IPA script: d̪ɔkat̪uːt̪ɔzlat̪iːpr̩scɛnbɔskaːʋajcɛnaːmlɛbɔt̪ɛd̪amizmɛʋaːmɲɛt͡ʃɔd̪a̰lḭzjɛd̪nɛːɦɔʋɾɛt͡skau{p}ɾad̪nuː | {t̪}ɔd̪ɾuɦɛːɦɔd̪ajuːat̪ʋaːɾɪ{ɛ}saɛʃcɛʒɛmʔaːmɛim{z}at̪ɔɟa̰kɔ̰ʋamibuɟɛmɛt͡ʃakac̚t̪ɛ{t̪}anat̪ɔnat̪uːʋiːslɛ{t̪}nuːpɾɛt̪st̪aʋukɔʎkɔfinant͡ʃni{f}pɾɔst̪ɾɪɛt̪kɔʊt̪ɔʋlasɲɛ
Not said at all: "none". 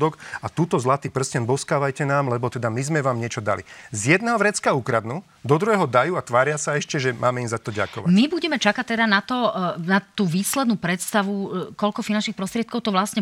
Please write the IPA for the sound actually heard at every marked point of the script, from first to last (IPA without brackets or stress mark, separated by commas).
k, d̪, a, z, d̪, d̪, x